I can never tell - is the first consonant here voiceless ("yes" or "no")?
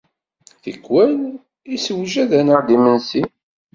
yes